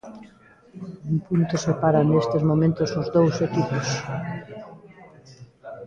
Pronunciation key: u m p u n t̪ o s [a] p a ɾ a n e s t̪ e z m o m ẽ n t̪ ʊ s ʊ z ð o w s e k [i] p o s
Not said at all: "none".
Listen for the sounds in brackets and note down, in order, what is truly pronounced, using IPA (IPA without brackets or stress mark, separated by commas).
e, i